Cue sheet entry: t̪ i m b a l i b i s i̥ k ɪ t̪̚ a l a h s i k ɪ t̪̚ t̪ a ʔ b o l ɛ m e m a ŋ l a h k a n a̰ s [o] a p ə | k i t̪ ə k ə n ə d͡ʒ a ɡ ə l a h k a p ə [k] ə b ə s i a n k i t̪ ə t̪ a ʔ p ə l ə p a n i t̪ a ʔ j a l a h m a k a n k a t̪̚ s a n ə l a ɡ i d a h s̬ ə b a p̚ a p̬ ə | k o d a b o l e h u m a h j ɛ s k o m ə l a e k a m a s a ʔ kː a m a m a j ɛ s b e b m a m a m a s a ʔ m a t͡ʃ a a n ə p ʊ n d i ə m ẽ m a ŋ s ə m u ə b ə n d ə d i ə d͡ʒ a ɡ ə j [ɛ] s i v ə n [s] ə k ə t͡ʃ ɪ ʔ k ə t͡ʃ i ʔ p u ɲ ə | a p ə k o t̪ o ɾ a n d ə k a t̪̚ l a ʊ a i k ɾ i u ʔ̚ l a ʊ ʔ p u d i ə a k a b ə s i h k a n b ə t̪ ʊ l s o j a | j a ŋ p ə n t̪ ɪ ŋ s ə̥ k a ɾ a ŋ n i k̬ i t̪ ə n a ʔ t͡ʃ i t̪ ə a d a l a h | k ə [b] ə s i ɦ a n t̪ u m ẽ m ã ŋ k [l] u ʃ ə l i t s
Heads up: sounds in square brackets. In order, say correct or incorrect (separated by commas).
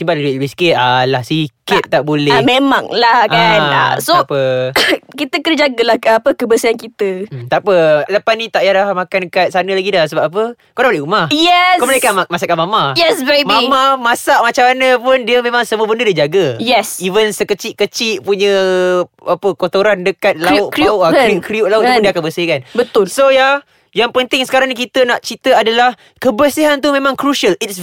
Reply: correct, correct, correct, correct, correct, incorrect